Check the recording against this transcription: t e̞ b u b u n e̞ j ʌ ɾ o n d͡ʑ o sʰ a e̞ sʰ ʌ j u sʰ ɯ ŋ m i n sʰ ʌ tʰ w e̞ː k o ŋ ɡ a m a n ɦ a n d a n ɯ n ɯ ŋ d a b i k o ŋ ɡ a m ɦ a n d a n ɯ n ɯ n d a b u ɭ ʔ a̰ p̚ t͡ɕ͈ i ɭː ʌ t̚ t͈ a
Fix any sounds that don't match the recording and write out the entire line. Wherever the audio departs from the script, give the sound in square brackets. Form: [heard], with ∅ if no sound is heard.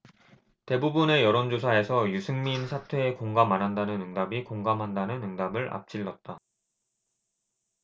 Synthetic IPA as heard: t e̞ b u b u n e̞ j ʌ ɾ o n d͡ʑ o sʰ a e̞ sʰ ʌ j u sʰ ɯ ŋ m i n sʰ [a] tʰ w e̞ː k o ŋ ɡ a m a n ɦ a n d a n ɯ n ɯ ŋ d a b i k o ŋ ɡ a m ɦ a n d a n ɯ n ɯ [ŋ] d a b [ɯ] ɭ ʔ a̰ p̚ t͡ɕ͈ i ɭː ʌ t̚ t͈ a